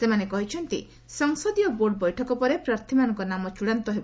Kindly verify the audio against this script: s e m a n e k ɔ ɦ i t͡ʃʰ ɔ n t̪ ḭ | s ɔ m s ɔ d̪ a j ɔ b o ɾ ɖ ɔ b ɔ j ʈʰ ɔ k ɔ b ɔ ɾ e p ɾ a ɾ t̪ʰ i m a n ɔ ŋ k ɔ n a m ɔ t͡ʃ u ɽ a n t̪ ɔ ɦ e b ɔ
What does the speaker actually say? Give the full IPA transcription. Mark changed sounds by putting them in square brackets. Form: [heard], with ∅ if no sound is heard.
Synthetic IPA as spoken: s e m a n e k ɔ ɦ i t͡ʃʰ ɔ n t̪ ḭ | s ɔ [ŋ] s ɔ d̪ [i] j ɔ b o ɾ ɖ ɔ b ɔ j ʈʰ ɔ k ɔ [p] ɔ ɾ e p ɾ a ɾ t̪ʰ i m a n ɔ ŋ k ɔ n a m ɔ t͡ʃ u ɽ a n t̪ ɔ ɦ e b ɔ

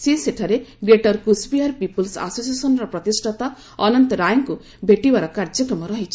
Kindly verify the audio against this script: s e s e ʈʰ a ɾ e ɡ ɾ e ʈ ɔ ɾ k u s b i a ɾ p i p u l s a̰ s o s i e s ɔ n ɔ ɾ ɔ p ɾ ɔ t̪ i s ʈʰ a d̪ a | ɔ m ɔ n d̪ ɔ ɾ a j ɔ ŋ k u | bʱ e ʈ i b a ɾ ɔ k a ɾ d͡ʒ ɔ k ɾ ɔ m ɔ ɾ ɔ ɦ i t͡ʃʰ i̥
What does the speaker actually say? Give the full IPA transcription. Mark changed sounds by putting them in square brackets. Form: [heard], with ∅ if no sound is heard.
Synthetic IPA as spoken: s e s e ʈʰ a ɾ e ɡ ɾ e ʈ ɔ ɾ k u s b i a ɾ p i p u l s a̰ s o s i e s ɔ n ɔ ɾ ɔ p ɾ ɔ t̪ i s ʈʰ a [t̪] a | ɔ [n] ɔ n [t̪] ɔ ɾ a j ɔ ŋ k u | bʱ e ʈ i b a ɾ ɔ k a ɾ d͡ʒ ɔ k ɾ ɔ m ɔ ɾ ɔ ɦ i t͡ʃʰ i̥

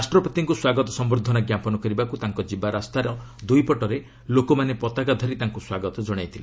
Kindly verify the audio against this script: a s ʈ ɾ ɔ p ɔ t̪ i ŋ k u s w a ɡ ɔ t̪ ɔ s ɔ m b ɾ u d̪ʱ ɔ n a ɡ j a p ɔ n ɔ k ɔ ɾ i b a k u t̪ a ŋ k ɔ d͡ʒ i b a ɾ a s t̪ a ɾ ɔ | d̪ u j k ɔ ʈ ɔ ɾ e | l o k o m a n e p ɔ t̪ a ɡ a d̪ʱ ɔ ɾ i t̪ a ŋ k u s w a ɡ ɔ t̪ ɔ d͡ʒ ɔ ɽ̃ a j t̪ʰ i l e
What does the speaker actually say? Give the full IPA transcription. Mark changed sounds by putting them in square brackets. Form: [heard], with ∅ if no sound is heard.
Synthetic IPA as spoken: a s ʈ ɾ ɔ p ɔ t̪ i ŋ k u s w a ɡ ɔ t̪ ɔ s ɔ m b ɾ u d̪ʱ ɔ n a ɡ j a p ɔ n ɔ k ɔ ɾ i b a k u t̪ a ŋ k ɔ d͡ʒ i b a ɾ a s t̪ a ɾ ɔ | d̪ u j [p] ɔ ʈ ɔ ɾ e | l o k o m a n e p ɔ t̪ a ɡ a d̪ʱ ɔ ɾ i t̪ a ŋ k u s w a ɡ ɔ t̪ ɔ d͡ʒ ɔ ɽ̃ a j t̪ʰ i l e

